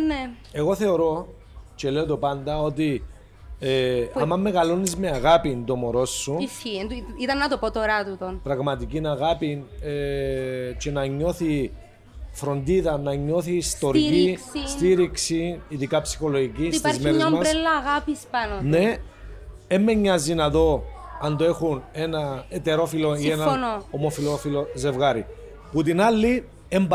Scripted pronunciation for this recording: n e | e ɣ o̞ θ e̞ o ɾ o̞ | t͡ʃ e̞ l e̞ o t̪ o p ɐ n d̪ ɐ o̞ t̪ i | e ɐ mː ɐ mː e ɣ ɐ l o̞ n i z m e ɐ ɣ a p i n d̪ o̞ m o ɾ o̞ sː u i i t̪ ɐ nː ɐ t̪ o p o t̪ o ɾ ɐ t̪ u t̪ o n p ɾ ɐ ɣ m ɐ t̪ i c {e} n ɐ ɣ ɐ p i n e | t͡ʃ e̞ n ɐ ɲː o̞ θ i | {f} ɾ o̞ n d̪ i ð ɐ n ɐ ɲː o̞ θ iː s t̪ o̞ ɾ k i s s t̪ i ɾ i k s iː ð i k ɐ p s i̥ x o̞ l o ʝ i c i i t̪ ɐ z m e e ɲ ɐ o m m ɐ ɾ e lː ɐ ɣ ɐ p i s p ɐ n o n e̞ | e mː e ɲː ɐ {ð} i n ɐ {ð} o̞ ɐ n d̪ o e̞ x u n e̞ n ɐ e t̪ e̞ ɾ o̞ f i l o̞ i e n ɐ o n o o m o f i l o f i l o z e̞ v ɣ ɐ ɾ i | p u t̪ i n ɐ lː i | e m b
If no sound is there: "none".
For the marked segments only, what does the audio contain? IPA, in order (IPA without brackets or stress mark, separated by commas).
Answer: i, f, z, ð